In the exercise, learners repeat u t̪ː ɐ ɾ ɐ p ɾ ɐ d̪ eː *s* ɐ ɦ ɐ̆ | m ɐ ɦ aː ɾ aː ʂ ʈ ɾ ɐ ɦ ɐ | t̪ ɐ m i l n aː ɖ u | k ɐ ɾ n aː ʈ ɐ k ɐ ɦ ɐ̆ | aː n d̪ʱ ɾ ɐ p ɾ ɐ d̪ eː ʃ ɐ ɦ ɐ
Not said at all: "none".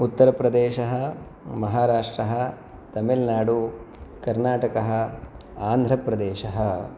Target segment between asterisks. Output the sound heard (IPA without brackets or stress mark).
ʃ